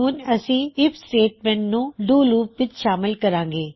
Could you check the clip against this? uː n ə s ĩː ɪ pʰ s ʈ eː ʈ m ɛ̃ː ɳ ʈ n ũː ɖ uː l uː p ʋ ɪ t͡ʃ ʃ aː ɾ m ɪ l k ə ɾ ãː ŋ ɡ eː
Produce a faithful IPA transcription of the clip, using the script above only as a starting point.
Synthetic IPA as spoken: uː n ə s ĩː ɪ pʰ s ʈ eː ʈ m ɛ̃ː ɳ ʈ n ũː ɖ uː l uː p ʋ ɪ t͡ʃ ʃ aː m ɪ l k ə ɾ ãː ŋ ɡ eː

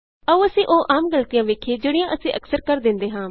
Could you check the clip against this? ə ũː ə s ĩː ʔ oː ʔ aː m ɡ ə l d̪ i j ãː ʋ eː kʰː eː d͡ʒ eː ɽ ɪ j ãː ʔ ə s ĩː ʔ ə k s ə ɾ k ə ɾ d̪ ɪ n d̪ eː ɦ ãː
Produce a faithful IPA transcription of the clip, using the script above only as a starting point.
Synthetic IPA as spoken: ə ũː ə s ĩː ʔ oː ʔ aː m ɡ ə l t̪ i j ãː ʋ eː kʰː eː d͡ʒ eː ɽ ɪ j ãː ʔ ə s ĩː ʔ ə k s ə ɾ k ə ɾ d̪ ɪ n d̪ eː ɦ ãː

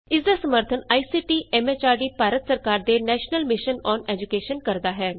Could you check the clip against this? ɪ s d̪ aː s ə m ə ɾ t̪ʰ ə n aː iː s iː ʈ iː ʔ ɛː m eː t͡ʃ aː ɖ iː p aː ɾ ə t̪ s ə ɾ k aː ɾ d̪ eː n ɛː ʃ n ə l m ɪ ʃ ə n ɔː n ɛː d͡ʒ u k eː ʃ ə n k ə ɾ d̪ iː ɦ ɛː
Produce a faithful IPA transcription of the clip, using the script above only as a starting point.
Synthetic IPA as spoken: ɪ s d̪ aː s ə m ə ɾ t̪ʰ ə n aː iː s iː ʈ iː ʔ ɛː m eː t͡ʃ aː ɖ iː p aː ɾ ə t̪ s ə ɾ k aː ɾ d̪ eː n ɛː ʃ n ə l m ɪ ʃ ə n ɔː n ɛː d͡ʒ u k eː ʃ ə n k ə ɾ d̪ aː ɦ ɛː

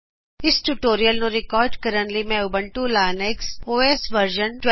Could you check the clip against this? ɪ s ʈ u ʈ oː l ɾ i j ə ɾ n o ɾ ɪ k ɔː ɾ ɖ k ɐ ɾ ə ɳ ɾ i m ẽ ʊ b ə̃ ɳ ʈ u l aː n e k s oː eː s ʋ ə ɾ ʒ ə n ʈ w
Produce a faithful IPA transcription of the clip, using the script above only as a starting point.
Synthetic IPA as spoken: ɪ s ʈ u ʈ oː ɾ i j ə l n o ɾ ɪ k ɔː ɾ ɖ k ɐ ɾ ə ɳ l i m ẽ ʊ b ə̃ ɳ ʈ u l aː n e k s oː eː s ʋ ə ɾ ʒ ə n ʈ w

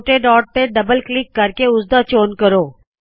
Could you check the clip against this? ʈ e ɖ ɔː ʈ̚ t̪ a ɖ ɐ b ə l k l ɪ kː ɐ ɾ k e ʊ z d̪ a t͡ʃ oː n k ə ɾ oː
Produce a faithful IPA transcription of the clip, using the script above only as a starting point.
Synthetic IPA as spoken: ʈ e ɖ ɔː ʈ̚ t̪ e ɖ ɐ b ə l k l ɪ kː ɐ ɾ k e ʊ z d̪ a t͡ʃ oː n k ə ɾ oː

